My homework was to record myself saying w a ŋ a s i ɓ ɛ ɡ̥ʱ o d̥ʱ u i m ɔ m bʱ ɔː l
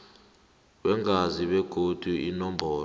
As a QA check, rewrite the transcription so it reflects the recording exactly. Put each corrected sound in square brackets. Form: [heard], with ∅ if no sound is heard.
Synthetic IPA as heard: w [ɛ] ŋ a [z] i ɓ ɛ ɡ̥ʱ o d̥ʱ u i [n] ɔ m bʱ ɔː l